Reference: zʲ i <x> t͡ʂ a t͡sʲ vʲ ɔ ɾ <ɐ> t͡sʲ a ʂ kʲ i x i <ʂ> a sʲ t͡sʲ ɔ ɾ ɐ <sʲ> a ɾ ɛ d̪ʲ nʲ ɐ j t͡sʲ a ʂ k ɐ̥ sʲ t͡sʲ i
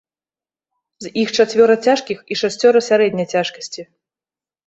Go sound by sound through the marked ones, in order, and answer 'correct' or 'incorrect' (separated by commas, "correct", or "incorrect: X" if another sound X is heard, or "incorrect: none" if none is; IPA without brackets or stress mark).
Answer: correct, correct, correct, correct